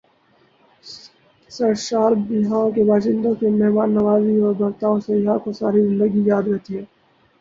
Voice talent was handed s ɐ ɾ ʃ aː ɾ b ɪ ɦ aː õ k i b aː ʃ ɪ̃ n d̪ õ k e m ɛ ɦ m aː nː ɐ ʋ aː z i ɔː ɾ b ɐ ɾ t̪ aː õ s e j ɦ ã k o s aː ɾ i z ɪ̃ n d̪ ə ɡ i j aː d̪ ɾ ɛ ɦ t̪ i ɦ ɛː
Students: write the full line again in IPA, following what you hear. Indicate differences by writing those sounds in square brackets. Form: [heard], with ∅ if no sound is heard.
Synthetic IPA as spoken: s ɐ ɾ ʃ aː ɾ b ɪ ɦ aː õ k [e] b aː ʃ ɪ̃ n d̪ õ k e m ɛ ɦ m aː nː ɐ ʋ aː z i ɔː ɾ b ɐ ɾ t̪ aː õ s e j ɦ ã k o s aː ɾ i z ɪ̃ n d̪ ə ɡ i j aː d̪ ɾ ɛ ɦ t̪ i ɦ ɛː